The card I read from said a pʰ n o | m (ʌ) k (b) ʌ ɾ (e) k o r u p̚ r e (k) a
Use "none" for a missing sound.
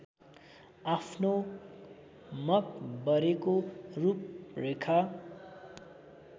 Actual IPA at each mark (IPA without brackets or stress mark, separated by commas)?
ʌ, b, e, kʰ